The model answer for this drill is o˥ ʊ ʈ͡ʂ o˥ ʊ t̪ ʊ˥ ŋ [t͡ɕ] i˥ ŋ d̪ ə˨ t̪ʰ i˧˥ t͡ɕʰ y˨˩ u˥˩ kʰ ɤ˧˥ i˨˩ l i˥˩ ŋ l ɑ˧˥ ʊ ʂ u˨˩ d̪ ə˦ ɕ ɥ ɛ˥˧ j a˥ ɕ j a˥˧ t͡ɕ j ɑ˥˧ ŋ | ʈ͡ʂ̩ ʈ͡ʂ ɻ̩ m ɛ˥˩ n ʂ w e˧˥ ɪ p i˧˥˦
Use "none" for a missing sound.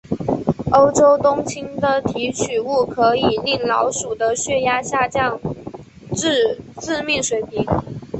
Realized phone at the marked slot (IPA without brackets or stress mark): t͡ɕʰ